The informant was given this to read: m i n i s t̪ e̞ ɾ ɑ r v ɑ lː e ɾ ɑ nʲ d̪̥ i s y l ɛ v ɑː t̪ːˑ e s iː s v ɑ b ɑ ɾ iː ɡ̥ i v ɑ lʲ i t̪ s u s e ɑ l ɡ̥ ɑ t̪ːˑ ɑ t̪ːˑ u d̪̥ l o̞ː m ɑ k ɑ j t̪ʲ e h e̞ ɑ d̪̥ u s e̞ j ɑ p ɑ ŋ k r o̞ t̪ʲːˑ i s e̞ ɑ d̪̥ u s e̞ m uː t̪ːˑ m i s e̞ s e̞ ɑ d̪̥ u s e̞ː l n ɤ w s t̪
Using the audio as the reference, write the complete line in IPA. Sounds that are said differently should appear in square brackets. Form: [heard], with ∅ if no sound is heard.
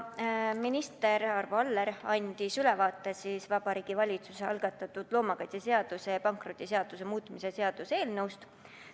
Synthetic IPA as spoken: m i n i s t̪ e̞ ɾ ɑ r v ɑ lː e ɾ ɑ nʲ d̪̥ i s y l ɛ v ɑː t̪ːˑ e s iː s v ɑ b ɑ ɾ iː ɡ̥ i v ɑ lʲ i t̪ s u s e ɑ l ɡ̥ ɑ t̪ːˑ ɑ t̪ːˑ u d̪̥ l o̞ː m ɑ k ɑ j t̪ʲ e [s] e̞ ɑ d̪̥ u s e̞ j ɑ p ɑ ŋ k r o̞ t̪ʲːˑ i s e̞ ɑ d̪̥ u s e̞ m uː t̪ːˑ m i s e̞ s e̞ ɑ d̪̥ u s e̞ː l n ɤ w s t̪

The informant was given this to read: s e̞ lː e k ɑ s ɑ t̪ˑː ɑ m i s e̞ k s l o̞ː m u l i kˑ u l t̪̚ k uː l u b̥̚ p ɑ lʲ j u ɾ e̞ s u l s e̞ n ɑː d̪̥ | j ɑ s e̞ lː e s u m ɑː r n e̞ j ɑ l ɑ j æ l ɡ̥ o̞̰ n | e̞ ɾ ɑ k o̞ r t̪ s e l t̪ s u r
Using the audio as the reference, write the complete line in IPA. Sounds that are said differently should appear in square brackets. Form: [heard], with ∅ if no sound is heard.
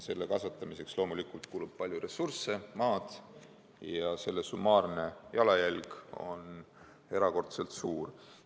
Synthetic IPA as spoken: s e̞ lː e k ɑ s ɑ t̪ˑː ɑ m i s e̞ k s l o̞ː m u l i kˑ u l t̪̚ k uː l u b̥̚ p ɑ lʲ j u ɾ e̞ s u [r] s e̞ [m] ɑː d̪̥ | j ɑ s e̞ lː e s u m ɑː r n e̞ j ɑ l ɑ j æ l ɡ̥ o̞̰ n | e̞ ɾ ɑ k o̞ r t̪ s e l t̪ s [uː] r

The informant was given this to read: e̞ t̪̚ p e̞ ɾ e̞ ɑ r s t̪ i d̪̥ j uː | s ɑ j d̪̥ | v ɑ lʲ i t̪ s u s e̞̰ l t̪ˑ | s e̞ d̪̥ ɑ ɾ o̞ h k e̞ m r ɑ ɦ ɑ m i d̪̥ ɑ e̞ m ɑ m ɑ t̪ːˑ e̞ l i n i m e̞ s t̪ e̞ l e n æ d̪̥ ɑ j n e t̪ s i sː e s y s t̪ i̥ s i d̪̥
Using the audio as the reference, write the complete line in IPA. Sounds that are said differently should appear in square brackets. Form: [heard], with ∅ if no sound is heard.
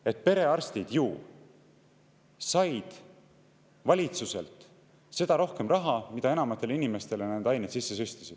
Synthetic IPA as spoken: e̞ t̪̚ p e̞ ɾ e̞ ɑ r s t̪ i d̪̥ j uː | s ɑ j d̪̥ | v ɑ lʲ i t̪ s u s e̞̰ l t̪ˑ | s e̞ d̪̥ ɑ ɾ o̞ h k e̞ m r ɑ ɦ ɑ m i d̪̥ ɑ e̞ [n] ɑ m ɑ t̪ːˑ e̞ l i n i m e̞ s t̪ e̞ l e n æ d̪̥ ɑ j n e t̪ s i sː e s y s t̪ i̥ s i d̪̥

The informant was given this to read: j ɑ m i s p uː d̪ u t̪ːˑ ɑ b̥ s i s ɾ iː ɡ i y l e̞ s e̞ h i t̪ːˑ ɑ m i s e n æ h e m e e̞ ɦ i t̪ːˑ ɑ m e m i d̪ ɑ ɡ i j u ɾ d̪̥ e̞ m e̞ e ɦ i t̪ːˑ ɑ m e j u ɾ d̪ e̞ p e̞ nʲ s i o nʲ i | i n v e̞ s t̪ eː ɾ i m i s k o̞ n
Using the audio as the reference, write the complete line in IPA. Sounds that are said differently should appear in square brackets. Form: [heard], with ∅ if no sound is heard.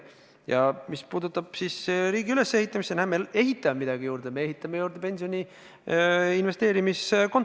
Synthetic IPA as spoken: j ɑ m i s p uː d̪ u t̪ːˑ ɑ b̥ s i s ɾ iː ɡ i y l e̞ s e̞ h i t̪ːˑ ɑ m i s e n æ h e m e e̞ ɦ i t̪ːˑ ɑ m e m i d̪ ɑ ɡ i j [uː] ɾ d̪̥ e̞ m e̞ e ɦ i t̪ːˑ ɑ m e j [uː] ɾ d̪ e̞ p e̞ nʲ s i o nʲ i | i n v e̞ s t̪ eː ɾ i m i s k o̞ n

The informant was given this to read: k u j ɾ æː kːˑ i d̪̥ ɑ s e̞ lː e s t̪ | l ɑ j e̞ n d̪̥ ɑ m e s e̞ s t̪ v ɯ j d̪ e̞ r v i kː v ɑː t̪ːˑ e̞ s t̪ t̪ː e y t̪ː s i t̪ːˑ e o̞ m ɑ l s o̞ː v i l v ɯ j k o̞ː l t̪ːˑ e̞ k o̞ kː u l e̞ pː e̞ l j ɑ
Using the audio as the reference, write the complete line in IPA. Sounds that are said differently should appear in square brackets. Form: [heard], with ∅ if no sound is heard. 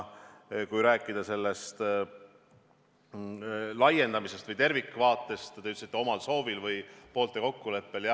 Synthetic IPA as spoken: k u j ɾ æː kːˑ i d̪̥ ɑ s e̞ lː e s t̪ | l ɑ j e̞ n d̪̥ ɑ m [i] s e̞ s t̪ v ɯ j [t̪] e̞ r v i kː v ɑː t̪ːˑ e̞ s t̪ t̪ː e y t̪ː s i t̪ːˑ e o̞ m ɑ l s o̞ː v i l v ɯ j [p] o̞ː l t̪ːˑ e̞ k o̞ kː u l e̞ pː e̞ l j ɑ

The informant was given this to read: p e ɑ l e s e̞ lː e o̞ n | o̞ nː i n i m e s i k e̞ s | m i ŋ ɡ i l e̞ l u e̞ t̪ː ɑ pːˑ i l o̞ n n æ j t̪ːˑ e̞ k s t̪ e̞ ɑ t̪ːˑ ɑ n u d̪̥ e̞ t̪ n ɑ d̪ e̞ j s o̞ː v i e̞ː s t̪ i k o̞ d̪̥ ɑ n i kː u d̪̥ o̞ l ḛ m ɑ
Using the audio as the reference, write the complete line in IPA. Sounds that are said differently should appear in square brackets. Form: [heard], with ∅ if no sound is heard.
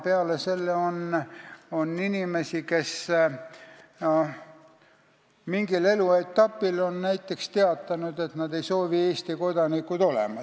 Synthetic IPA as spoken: p e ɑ l e s e̞ lː e o̞ n | o̞ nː i n i m e s i k e̞ s | m i ŋ ɡ i l e̞ l u e̞ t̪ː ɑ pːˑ i l o̞ n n æ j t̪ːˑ e̞ k s t̪ e̞ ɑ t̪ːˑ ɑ n u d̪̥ e̞ t̪ n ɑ d̪ e̞ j s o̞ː v i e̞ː s t̪ i k o̞ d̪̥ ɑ n i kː u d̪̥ o̞ l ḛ m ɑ

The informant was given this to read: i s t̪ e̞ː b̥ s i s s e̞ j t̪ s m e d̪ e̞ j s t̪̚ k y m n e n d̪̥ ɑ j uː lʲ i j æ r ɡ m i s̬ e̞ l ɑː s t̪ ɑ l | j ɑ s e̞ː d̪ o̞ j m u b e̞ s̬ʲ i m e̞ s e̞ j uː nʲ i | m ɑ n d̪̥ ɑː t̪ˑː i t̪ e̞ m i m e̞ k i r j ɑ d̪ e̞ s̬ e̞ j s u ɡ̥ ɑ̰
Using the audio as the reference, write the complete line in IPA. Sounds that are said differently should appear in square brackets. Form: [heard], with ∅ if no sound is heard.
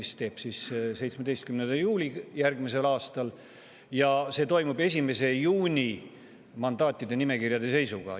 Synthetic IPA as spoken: i s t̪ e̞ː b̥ s i s s e̞ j t̪ s m e d̪ e̞ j s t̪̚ k y m n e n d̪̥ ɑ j uː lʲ i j æ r ɡ m i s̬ e̞ l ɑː s t̪ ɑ l | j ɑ s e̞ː [t̪] o̞ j m u b e̞ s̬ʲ i m e̞ s e̞ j uː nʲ i | m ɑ n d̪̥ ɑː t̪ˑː i [d̪] e̞ [n] i m e̞ k i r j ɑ d̪ e̞ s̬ e̞ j s u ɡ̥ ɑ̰

